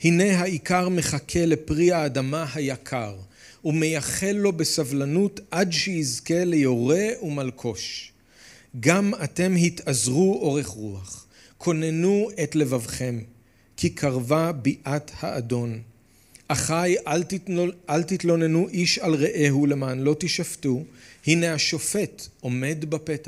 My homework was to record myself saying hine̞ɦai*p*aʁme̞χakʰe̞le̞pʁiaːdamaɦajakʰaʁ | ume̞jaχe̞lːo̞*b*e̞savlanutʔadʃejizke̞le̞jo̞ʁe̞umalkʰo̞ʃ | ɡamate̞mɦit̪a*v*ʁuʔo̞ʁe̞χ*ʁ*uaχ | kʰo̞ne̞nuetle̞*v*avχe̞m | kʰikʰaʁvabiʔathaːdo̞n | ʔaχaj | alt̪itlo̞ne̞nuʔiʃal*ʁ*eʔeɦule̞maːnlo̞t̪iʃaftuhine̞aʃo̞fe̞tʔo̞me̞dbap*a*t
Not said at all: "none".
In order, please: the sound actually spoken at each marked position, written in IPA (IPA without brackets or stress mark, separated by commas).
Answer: k, b, z, ʁ, v, ʁ, e